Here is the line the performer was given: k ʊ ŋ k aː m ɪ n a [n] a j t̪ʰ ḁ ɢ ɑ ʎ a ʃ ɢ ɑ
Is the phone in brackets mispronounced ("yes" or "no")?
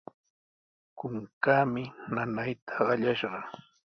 no